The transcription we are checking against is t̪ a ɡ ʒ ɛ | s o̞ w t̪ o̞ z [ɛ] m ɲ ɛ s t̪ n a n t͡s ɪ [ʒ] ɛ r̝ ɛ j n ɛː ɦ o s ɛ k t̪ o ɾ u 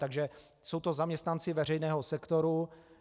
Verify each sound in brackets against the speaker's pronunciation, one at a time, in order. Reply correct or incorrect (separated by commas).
incorrect, incorrect